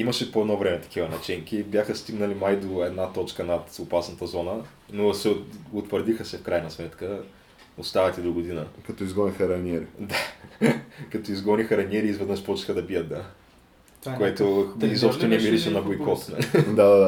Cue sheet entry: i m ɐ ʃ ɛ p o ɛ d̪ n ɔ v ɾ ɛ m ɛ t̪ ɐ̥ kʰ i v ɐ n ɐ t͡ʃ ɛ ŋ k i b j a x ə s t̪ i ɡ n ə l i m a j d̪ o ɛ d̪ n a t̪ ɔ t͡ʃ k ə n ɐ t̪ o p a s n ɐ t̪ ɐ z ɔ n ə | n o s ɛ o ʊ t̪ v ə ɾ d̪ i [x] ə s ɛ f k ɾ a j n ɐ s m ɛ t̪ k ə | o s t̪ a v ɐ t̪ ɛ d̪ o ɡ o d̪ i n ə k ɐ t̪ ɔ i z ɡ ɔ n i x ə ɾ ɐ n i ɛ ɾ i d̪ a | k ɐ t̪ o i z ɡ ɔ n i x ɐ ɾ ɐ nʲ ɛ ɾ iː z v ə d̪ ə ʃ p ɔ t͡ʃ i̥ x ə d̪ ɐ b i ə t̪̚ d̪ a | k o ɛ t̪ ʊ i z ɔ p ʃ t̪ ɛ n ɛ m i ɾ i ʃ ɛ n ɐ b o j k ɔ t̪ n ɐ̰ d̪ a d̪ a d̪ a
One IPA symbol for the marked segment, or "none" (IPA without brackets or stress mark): x